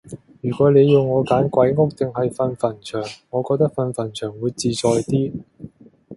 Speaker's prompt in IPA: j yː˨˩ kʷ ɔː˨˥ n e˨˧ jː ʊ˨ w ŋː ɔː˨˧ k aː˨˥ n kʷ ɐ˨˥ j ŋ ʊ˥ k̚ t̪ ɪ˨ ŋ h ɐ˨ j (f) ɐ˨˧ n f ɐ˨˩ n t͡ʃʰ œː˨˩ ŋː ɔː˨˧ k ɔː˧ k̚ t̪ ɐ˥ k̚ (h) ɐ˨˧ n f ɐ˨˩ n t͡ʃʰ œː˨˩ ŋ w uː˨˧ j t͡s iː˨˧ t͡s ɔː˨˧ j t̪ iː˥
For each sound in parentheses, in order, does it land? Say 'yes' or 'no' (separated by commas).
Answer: yes, no